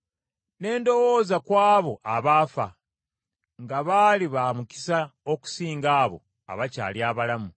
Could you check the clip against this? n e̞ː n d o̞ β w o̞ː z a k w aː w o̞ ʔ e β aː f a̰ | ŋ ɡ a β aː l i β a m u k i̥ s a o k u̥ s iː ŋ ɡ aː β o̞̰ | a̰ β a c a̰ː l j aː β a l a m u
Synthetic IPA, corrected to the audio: n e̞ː n d o̞ w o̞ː z a k w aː β o̞ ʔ a β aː f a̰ | ŋ ɡ a β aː l i β a m u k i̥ s a o k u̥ s iː ŋ ɡ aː β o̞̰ | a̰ β a c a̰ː l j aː β a l a m u